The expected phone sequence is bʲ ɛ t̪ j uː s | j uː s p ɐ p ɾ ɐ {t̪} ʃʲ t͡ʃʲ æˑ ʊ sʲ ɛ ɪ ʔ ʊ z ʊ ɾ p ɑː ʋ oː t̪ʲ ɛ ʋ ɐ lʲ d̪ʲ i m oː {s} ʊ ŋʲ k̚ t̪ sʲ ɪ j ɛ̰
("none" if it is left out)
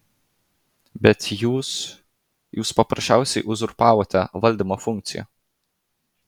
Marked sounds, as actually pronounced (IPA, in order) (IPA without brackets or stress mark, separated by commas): none, f